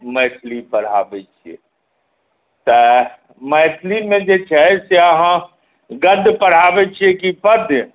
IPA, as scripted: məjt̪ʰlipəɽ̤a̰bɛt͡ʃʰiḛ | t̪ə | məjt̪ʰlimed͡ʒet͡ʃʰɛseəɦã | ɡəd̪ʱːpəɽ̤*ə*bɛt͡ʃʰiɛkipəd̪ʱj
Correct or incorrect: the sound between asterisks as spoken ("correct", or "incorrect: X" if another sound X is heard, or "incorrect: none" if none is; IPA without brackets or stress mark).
incorrect: a